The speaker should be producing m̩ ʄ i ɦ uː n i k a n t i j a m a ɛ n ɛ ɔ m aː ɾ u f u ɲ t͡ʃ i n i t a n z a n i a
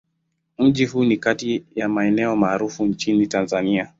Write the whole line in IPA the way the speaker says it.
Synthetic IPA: m̩ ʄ i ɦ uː n i k a t i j a m a ɛ n ɛ ɔ m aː ɾ u f u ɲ t͡ʃ i n i t a n z a n i a